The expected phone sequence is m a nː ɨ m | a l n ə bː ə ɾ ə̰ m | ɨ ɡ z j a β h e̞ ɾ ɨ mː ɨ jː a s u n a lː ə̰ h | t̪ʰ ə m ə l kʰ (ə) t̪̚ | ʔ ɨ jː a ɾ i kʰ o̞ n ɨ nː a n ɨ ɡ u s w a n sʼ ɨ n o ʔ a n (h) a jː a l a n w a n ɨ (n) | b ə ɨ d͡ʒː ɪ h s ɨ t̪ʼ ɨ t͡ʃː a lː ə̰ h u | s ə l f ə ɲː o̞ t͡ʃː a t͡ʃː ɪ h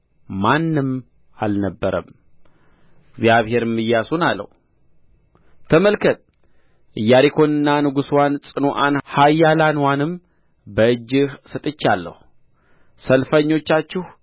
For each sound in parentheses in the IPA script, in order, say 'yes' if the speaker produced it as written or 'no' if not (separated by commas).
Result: yes, yes, no